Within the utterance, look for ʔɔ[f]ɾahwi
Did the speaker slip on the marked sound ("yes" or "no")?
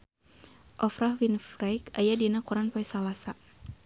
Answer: no